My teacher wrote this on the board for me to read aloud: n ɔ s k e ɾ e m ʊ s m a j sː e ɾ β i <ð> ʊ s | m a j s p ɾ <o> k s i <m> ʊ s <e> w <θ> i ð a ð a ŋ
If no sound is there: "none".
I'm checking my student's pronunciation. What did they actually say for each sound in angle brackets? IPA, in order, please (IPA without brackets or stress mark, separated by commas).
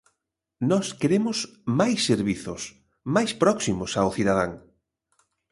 θ, ɔ, m, a, θ